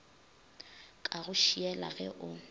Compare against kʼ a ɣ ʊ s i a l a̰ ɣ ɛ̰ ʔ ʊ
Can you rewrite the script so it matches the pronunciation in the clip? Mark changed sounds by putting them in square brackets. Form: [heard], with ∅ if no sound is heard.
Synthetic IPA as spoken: kʼ a ɣ ʊ [ʃ] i [ɛ] l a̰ ɣ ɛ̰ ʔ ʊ